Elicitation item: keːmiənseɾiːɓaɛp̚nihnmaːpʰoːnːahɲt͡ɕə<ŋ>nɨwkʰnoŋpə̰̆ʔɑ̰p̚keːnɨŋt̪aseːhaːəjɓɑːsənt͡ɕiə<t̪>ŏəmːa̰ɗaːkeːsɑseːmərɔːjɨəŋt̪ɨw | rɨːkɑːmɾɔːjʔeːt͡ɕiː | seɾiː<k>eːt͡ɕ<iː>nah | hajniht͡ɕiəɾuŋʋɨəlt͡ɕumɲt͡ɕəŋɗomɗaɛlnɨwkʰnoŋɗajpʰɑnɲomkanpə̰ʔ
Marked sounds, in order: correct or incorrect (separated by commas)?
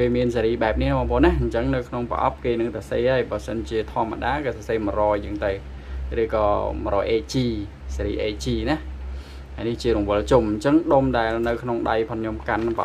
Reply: correct, incorrect, incorrect, correct